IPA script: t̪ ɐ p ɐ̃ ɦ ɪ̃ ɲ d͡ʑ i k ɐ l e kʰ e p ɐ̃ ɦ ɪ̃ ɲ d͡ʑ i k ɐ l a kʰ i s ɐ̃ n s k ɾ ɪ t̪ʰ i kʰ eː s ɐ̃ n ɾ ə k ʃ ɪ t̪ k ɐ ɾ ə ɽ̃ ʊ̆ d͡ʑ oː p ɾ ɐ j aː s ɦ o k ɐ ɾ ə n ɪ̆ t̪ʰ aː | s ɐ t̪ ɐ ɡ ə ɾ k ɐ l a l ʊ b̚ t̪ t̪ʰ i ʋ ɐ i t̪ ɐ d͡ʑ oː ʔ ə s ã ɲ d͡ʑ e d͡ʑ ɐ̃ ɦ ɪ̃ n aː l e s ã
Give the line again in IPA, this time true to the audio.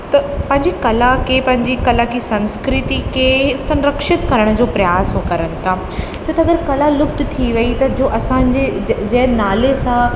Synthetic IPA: t̪ ɐ p ɐ̃ ɦ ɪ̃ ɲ d͡ʑ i k ɐ l a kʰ e p ɐ̃ ɦ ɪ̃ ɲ d͡ʑ i k ɐ l a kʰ i s ɐ̃ n s k ɾ ɪ t̪ i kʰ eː s ɐ̃ n ɾ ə k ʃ ɪ t̪ k ɐ ɾ ə ɽ̃ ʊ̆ d͡ʑ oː p ɾ ɐ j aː s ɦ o k ɐ ɾ ə n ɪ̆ t̪ʰ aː | s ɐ t̪ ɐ ɡ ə ɾ k ɐ l a l ʊ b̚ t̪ t̪ʰ i ʋ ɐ i t̪ ɐ d͡ʑ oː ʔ ɐ s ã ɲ d͡ʑ e d͡ʑ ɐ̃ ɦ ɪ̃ n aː l e s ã